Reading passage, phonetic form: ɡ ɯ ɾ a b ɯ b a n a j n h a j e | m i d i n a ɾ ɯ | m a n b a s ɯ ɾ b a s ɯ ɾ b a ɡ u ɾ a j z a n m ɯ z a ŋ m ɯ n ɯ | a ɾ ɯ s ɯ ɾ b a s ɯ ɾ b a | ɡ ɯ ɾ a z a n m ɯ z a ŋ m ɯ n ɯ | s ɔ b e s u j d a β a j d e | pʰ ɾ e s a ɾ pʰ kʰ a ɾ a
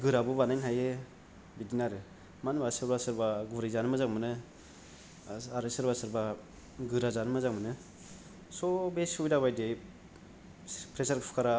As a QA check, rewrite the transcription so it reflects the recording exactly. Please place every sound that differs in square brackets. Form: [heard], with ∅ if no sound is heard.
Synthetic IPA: ɡ ɯ ɾ a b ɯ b a n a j n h a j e | [b] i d i n a ɾ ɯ | m a n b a s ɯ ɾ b a s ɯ ɾ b a ɡ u ɾ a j z a n m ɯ z a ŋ m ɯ n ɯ | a ɾ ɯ s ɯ ɾ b a s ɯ ɾ b a | ɡ ɯ ɾ a z a n m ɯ z a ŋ m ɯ n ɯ | s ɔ b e s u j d a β a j d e | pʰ ɾ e s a ɾ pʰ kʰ a ɾ a